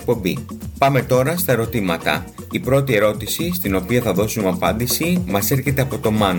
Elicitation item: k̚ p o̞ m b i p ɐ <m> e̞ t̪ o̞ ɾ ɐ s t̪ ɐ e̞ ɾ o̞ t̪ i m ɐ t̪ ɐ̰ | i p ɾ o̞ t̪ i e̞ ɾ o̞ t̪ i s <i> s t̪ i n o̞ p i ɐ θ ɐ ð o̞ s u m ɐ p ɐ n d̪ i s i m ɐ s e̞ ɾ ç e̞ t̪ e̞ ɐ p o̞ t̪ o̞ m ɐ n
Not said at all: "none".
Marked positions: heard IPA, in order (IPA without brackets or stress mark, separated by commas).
m, i